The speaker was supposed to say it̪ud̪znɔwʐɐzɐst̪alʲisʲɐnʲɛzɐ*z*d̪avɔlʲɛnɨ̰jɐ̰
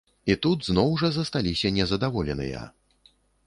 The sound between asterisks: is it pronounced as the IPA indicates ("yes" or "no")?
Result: no